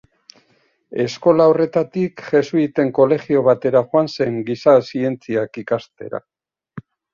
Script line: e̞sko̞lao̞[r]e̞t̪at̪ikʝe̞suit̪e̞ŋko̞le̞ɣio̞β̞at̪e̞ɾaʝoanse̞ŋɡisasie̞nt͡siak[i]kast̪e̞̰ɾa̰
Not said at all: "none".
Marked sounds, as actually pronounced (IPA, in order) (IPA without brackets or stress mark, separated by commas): r, i